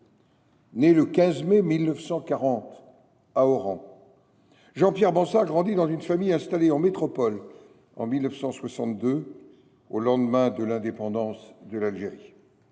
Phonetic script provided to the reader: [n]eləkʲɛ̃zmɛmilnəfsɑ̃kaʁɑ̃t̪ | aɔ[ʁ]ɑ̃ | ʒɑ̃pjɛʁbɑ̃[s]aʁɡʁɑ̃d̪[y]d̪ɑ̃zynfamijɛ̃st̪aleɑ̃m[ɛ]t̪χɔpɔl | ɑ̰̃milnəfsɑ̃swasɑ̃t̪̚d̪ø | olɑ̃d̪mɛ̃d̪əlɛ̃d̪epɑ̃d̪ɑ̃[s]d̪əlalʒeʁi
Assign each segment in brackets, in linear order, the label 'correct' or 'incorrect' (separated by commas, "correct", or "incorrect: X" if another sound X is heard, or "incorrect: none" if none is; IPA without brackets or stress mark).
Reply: correct, correct, correct, incorrect: i, incorrect: e, correct